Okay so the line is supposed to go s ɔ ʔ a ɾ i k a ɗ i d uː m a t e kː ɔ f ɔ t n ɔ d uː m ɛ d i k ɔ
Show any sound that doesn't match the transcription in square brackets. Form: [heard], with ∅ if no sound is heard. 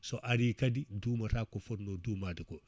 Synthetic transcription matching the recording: s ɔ ʔ a ɾ i k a [d] i d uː m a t [a] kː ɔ f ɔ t n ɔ d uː m [a] d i k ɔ